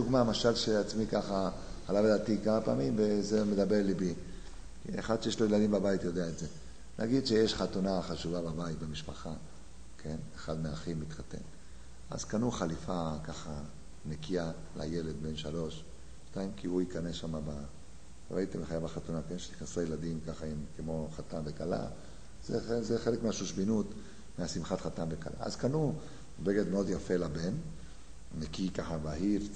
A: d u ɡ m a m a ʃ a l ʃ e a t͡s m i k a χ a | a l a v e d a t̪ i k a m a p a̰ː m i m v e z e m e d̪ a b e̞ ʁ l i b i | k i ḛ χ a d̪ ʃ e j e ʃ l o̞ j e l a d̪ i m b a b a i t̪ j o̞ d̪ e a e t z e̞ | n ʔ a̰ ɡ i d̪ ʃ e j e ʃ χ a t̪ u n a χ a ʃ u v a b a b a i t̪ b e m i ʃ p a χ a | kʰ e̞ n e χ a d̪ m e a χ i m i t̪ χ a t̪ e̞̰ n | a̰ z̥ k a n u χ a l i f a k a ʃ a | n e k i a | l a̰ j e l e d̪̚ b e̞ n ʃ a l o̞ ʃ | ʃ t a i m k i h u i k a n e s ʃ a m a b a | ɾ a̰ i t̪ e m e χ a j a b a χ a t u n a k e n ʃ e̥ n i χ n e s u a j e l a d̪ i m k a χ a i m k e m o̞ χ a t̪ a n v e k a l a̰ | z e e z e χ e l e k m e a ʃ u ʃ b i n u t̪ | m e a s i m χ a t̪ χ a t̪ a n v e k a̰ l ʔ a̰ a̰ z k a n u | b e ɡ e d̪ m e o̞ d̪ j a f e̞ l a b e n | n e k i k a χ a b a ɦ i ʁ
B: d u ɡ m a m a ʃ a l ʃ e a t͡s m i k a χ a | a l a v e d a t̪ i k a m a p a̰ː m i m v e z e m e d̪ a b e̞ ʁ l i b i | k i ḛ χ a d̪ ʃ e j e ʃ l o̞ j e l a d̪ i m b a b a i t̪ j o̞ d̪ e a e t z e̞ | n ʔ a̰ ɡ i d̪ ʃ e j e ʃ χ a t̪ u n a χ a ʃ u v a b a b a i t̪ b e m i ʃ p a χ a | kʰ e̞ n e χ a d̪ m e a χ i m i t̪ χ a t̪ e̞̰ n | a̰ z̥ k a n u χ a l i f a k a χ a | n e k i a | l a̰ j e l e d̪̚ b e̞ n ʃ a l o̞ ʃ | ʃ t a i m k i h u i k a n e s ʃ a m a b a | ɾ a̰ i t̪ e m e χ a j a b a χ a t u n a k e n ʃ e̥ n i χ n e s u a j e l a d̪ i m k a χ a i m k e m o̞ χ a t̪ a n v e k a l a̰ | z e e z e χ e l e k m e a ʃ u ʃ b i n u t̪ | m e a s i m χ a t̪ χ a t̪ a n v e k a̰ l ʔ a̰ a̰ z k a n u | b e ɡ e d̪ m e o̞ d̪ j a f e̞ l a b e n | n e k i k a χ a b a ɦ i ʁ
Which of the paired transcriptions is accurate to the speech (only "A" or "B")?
B